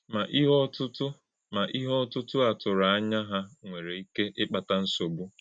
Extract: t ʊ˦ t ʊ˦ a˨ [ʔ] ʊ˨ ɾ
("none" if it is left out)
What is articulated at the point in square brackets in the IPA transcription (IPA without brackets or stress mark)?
t